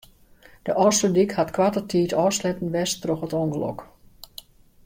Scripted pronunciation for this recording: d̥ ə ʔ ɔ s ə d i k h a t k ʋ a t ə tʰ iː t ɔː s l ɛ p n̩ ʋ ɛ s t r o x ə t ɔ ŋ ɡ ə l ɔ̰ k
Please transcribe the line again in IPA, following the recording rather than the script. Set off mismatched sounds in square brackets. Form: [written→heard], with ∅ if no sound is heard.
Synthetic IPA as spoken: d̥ ə ʔ ɔ s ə d i k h a t k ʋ a t ə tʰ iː t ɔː s l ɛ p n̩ ʋ ɛ s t r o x ə t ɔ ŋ ɡ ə l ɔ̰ k